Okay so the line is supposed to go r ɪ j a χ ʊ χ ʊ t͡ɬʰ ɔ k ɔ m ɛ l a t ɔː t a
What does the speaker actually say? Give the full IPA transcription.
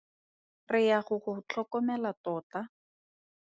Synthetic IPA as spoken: r ɪ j a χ ʊ χ ʊ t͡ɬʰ ɔ k ɔ m ɛ l a t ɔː t a